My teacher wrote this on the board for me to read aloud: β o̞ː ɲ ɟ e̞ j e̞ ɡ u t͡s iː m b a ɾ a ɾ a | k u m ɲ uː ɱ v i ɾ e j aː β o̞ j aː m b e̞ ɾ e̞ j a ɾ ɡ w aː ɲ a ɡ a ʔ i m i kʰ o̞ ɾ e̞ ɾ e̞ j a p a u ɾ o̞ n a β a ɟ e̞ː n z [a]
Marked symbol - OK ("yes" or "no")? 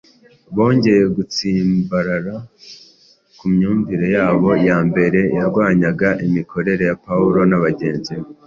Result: no